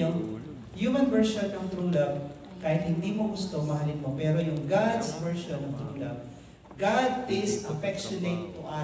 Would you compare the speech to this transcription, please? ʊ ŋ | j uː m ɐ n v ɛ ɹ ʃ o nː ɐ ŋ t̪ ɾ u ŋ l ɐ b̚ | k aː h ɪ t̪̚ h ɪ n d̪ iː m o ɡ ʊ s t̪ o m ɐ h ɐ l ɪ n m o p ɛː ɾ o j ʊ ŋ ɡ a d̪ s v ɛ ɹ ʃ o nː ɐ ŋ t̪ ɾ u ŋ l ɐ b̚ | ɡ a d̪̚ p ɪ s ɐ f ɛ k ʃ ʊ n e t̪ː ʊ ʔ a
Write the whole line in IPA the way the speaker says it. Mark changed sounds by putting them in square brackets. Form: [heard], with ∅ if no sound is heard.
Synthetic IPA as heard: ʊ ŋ | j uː m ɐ n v ɛ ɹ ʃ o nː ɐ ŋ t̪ ɾ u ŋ l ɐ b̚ | k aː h ɪ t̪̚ h ɪ n d̪ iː m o ɡ ʊ s t̪ o m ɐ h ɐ l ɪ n m o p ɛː ɾ o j ʊ ŋ ɡ a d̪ s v ɛ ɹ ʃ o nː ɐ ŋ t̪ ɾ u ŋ l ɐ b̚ | ɡ a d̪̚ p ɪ s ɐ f ɛ k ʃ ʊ n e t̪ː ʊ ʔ a